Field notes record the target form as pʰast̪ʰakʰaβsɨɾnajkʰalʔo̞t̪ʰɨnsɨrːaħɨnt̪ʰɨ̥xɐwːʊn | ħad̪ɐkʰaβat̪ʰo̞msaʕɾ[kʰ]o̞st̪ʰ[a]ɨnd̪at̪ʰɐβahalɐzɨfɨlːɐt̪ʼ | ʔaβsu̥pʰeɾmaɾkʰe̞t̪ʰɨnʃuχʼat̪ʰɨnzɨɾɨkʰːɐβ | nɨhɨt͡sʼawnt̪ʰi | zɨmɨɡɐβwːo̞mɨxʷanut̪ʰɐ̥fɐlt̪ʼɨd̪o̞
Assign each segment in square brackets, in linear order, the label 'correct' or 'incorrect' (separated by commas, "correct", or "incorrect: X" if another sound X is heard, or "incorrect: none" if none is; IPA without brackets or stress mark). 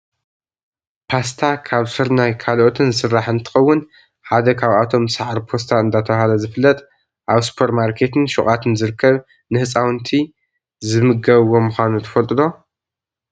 incorrect: pʰ, correct